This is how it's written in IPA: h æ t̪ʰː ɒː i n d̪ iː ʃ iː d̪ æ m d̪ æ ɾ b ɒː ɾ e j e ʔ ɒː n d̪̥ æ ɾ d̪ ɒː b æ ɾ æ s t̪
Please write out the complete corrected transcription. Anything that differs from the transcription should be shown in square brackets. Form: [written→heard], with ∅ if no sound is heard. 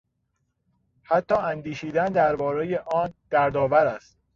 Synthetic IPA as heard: h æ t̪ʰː ɒː [i→æ] n d̪ iː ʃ iː d̪ æ [m→n] d̪ æ ɾ b ɒː ɾ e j e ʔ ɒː n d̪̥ æ ɾ d̪ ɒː [b→v] æ ɾ æ s t̪